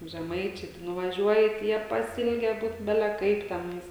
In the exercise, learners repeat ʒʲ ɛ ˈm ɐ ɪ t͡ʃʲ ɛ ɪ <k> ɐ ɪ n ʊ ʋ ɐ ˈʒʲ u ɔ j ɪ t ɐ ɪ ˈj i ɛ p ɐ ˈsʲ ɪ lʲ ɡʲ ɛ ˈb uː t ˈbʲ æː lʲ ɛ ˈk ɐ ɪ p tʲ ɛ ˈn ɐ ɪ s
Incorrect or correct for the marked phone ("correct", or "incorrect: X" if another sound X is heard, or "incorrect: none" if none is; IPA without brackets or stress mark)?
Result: incorrect: t